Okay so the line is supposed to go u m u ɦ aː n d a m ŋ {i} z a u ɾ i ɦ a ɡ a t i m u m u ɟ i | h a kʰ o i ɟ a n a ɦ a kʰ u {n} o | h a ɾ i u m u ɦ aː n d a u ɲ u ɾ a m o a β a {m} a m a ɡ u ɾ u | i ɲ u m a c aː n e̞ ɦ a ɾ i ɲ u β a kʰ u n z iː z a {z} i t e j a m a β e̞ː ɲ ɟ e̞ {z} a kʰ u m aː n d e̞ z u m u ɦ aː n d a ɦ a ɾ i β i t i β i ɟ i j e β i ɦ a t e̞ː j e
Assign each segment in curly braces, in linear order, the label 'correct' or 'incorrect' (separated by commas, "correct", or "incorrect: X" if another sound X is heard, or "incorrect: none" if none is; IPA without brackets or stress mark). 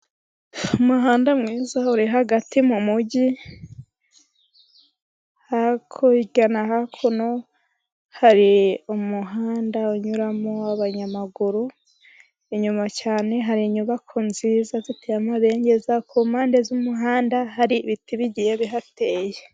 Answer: incorrect: iː, correct, incorrect: ɲ, correct, correct